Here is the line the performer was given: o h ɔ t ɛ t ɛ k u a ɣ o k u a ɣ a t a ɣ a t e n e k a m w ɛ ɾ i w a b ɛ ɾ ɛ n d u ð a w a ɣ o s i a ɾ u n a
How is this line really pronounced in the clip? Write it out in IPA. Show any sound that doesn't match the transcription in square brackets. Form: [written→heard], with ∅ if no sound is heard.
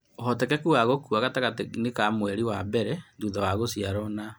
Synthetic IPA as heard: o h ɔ t ɛ [t→k] ɛ k u a ɣ o k u a ɣ a t a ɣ a t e n e k a m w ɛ ɾ i w a b ɛ ɾ ɛ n d u ð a w a ɣ o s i a ɾ [u→ɔ] n a